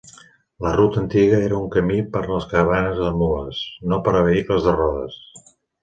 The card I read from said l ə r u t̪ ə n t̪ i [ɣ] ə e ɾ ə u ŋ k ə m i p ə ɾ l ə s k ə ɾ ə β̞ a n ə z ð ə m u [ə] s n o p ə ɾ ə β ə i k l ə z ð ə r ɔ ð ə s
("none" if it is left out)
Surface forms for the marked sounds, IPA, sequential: ɣ, ə

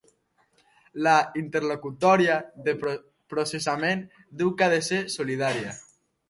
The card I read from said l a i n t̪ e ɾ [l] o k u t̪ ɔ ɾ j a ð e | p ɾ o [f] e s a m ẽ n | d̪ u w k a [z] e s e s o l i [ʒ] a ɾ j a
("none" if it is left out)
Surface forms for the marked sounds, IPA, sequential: l, s, ð, ð

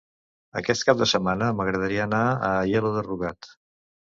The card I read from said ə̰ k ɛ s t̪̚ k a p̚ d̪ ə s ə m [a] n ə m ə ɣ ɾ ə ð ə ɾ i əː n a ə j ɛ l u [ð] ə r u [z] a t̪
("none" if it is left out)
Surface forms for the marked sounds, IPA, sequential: a, ð, ɣ

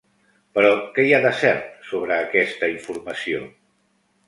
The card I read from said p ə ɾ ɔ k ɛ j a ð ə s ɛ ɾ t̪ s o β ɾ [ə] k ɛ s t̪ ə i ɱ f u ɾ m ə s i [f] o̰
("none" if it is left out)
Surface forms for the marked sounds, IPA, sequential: əː, none

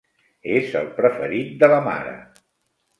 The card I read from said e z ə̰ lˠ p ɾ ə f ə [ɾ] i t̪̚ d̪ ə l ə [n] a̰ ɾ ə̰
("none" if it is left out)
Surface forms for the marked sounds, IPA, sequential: ɾ, m

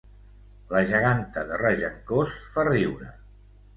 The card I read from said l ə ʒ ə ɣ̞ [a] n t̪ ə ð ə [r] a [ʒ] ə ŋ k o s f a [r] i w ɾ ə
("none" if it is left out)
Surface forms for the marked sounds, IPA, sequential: a, r, ʒ, r

